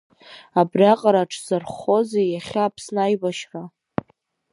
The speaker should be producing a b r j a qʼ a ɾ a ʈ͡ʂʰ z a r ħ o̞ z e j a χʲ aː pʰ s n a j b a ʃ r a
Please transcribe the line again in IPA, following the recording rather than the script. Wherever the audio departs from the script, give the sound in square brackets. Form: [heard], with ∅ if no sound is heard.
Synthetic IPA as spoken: a b r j a qʼ a ɾ a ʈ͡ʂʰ z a r [χ] o̞ z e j a χʲ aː pʰ s n a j b a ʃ r a